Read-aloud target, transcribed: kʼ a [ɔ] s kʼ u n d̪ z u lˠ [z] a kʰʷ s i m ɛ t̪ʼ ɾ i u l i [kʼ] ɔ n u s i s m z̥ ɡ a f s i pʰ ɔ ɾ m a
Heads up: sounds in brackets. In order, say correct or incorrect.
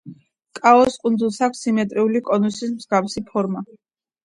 correct, incorrect, correct

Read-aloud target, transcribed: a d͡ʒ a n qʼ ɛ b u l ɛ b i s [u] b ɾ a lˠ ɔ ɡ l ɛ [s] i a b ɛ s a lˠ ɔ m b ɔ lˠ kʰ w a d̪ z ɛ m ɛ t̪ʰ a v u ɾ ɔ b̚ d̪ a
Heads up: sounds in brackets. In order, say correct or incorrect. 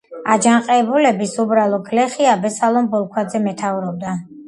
correct, incorrect

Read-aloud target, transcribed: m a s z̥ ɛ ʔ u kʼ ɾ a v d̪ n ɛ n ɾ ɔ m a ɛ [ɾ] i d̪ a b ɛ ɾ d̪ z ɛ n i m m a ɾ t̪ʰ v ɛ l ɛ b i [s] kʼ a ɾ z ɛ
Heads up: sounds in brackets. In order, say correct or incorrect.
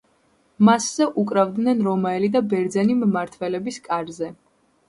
incorrect, correct

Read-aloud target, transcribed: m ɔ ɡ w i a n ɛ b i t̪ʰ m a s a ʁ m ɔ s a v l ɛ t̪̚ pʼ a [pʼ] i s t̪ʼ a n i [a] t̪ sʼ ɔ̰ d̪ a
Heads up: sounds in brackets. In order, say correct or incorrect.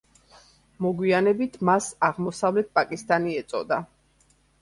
incorrect, incorrect

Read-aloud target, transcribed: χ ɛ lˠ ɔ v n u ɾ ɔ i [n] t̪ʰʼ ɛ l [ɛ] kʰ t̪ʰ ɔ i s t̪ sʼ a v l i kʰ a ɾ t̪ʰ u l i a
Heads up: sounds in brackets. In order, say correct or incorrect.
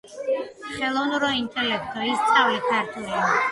correct, correct

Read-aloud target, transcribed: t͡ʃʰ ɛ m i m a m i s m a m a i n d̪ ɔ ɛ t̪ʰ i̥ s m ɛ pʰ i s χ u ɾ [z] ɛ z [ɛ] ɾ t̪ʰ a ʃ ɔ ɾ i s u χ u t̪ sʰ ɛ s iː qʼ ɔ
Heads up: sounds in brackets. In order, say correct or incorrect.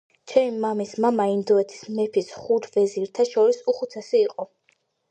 incorrect, incorrect

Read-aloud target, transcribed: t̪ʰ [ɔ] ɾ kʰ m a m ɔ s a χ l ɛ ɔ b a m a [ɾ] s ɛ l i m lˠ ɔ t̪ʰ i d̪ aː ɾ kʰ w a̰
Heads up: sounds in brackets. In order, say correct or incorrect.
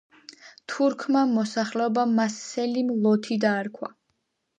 incorrect, incorrect

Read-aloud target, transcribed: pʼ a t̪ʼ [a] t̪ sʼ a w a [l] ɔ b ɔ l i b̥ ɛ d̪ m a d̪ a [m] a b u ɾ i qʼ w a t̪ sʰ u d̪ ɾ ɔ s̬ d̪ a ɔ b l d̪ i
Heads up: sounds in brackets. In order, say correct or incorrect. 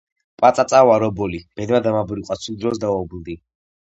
correct, incorrect, correct

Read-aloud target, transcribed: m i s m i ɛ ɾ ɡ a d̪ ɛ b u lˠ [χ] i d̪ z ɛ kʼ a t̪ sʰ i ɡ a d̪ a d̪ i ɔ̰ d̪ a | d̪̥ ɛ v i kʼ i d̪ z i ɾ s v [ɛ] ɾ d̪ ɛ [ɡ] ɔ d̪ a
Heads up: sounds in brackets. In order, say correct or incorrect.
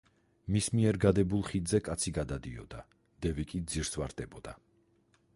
correct, incorrect, incorrect

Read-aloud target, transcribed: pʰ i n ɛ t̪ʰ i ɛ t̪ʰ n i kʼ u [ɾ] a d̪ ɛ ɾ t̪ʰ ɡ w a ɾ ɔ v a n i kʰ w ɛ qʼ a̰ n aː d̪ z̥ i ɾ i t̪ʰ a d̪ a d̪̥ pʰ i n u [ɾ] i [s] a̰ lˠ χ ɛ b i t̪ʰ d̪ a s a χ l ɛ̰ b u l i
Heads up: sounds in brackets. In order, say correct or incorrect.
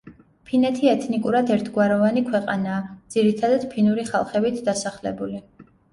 correct, correct, incorrect

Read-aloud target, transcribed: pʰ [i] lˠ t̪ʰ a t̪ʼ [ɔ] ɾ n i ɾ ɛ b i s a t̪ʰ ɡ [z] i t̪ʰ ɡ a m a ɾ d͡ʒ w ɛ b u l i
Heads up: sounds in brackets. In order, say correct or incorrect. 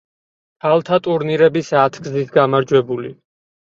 incorrect, incorrect, correct

